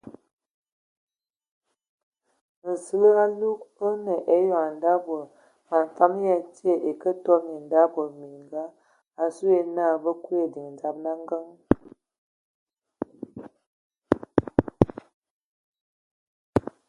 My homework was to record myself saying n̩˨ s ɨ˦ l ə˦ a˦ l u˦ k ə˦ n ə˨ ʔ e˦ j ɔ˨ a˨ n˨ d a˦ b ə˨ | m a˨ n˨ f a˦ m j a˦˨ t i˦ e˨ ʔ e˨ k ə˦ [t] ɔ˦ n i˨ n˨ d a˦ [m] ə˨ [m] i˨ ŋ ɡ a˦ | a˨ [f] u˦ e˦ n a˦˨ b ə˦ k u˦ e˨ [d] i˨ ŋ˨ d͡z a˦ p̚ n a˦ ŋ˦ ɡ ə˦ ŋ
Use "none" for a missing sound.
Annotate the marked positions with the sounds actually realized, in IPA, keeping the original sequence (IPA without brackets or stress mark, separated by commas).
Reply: t, b, m, s, d